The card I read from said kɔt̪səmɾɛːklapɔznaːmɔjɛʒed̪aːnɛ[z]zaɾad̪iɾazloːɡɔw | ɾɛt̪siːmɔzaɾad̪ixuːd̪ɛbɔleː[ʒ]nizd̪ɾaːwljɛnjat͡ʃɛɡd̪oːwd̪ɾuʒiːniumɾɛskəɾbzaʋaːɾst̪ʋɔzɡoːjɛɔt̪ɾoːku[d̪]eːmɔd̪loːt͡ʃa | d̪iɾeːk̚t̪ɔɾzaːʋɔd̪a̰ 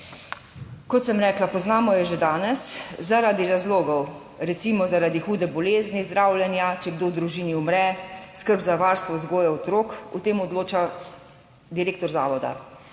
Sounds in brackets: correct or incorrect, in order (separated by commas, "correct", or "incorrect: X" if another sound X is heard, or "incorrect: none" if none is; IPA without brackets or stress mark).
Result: incorrect: s, incorrect: z, incorrect: t̪